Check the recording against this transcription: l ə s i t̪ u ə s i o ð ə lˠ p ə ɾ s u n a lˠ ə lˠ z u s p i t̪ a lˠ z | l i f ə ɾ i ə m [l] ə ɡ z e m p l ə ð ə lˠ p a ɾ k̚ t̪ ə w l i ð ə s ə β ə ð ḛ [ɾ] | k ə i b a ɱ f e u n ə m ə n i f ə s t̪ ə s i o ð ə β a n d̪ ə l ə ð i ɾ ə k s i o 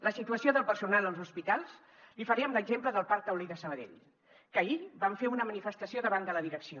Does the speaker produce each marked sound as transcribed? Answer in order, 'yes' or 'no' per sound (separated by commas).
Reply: yes, no